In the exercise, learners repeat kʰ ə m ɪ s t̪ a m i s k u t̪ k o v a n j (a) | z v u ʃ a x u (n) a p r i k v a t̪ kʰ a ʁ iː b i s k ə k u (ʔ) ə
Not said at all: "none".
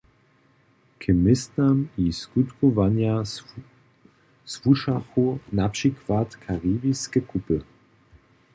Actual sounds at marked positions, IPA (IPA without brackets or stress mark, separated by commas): a, n, p